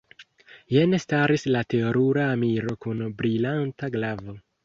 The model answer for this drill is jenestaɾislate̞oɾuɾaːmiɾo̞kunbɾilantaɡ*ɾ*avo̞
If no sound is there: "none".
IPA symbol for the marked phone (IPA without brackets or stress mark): l